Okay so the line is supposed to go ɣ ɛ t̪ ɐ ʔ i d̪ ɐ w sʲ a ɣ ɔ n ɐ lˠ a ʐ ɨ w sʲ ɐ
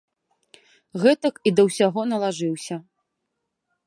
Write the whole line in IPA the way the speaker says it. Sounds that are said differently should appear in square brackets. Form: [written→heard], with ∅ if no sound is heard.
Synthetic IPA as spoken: ɣ ɛ t̪ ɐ [ʔ→k] i d̪ ɐ w sʲ a ɣ ɔ n ɐ lˠ a ʐ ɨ w sʲ ɐ

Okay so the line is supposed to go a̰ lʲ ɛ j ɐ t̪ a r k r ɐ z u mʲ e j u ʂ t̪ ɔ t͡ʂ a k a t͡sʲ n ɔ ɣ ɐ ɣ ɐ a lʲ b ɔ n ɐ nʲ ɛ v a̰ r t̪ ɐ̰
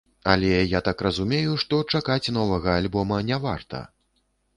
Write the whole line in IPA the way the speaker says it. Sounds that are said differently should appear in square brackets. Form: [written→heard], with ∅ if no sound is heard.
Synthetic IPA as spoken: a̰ lʲ ɛ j [ɐ→a] t̪ a [r→∅] k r ɐ z u mʲ e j u ʂ t̪ ɔ t͡ʂ a k a t͡sʲ n ɔ [ɣ→v] ɐ ɣ ɐ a lʲ b ɔ [n→m] ɐ nʲ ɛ v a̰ r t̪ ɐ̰

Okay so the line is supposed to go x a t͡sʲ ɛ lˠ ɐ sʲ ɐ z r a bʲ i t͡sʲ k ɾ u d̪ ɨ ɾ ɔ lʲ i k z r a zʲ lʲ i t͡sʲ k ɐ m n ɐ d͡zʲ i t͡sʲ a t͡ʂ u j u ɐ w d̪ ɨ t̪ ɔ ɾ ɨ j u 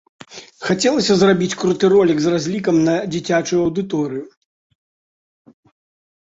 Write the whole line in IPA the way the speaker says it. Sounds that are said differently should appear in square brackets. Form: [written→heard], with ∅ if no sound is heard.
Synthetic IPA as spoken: x a t͡sʲ ɛ lˠ ɐ sʲ ɐ z r a bʲ i t͡sʲ k ɾ u [d̪→t̪] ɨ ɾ ɔ lʲ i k z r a zʲ lʲ i [t͡sʲ→∅] k ɐ m n ɐ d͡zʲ i t͡sʲ a t͡ʂ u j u ɐ w d̪ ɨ t̪ ɔ ɾ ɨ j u

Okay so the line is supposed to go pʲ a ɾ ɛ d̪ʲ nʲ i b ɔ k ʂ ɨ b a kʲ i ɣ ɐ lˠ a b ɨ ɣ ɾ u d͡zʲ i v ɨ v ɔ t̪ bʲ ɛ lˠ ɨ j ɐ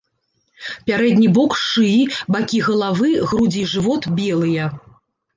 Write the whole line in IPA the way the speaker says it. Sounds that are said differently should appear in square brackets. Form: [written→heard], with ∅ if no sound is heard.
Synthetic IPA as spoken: pʲ a ɾ ɛ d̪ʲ nʲ i b ɔ k ʂ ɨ b a kʲ i ɣ ɐ lˠ a [b→v] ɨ ɣ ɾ u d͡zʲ i [v→ʐ] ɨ v ɔ t̪ bʲ ɛ lˠ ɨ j ɐ

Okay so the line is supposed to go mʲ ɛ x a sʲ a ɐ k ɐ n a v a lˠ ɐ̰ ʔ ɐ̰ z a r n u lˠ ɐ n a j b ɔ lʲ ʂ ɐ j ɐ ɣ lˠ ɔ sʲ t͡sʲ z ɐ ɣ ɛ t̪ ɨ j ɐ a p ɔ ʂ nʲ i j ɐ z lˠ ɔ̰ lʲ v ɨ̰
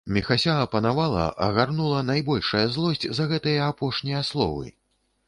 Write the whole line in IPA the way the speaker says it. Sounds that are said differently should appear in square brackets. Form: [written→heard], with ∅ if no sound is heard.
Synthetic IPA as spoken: mʲ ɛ x a sʲ a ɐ [k→p] ɐ n a v a lˠ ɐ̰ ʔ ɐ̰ [z→ɣ] a r n u lˠ ɐ n a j b ɔ lʲ ʂ ɐ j ɐ [ɣ→z] lˠ ɔ sʲ t͡sʲ z ɐ ɣ ɛ t̪ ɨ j ɐ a p ɔ ʂ nʲ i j ɐ [z→s] lˠ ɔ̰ [lʲ→∅] v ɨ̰

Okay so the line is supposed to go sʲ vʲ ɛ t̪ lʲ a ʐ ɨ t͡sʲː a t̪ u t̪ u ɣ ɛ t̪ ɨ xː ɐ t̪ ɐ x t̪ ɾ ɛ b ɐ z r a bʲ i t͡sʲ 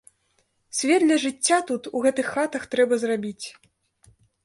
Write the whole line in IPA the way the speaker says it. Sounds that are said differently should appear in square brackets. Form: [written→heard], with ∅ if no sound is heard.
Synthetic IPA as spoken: sʲ vʲ ɛ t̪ lʲ [a→ɐ] ʐ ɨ t͡sʲː a t̪ u t̪ u ɣ ɛ t̪ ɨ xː [ɐ→a] t̪ ɐ x t̪ ɾ ɛ b ɐ z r a bʲ i t͡sʲ

